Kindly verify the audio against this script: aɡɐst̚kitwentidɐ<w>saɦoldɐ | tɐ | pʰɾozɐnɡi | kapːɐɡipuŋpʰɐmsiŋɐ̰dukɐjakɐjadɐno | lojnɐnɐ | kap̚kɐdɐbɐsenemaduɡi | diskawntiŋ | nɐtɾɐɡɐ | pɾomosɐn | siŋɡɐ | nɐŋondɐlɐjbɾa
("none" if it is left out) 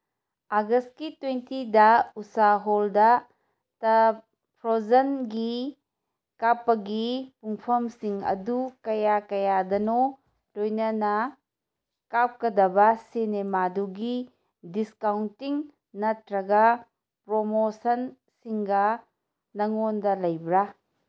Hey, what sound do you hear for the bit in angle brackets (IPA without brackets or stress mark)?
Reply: u